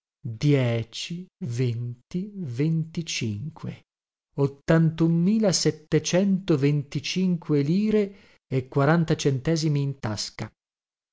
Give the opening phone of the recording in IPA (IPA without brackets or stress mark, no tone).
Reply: d̪